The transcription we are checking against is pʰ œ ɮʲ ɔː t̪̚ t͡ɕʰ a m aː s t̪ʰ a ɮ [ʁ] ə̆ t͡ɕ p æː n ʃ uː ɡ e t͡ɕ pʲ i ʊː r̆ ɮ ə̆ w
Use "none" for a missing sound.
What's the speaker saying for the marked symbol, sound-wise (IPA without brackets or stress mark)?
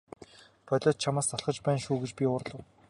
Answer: χ